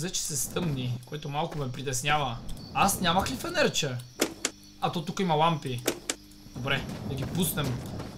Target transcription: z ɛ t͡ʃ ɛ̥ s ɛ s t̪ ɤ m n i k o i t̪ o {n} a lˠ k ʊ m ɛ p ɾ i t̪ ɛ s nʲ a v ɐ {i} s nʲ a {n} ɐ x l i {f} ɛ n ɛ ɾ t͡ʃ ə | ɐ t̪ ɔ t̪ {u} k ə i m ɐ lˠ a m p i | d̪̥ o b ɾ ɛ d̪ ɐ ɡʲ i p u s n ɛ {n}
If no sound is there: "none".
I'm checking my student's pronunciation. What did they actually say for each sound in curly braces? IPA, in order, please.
m, a, m, f, u, m

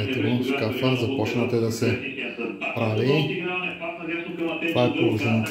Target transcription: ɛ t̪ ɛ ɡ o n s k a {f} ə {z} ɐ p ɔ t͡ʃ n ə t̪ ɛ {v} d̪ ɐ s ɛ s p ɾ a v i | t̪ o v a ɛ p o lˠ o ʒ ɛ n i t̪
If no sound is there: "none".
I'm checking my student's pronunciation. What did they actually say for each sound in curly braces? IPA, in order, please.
f, z, none

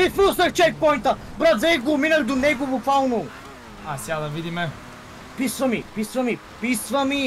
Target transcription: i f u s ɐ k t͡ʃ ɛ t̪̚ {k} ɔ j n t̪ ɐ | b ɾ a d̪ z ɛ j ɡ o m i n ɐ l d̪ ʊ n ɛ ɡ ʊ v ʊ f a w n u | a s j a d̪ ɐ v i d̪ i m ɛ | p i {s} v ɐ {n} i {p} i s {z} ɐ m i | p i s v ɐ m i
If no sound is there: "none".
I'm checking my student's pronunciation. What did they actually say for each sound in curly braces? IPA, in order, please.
p, s, m, p, v

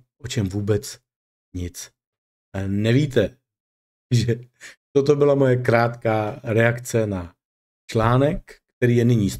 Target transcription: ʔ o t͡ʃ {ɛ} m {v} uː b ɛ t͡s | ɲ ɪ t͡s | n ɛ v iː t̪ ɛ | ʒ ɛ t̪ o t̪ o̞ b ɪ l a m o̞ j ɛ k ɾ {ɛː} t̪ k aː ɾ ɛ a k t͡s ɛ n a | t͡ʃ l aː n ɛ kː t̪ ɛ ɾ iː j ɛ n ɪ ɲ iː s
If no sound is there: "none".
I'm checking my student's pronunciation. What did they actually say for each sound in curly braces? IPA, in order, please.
ɛ, v, aː

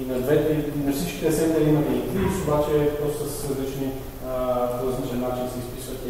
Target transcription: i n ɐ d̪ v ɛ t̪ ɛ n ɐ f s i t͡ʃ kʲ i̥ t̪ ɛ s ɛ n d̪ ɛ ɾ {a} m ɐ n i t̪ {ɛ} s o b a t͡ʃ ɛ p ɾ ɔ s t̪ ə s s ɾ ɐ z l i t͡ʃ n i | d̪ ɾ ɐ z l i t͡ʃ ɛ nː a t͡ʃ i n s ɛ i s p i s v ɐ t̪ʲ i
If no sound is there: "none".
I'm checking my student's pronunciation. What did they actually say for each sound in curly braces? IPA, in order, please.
i, i

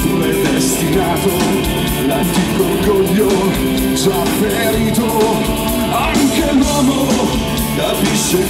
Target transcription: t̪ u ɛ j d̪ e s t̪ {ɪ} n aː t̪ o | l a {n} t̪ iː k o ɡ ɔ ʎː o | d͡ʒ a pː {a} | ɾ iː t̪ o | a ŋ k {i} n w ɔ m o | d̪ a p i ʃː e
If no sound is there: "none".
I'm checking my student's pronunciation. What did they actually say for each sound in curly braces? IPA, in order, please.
i, n, e, e

